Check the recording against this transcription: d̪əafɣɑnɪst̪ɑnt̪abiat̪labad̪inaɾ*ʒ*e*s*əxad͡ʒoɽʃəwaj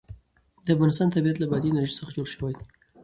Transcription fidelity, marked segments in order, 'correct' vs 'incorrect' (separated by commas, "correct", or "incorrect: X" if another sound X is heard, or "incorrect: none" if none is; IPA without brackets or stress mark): correct, correct